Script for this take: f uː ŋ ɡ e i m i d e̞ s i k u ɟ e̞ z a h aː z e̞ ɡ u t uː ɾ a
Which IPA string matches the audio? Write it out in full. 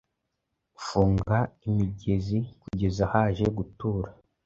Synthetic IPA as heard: f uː ŋ ɡ a i m i ɟ e̞ z i k u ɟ e̞ z a h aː ʒ e̞ ɡ u t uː ɾ a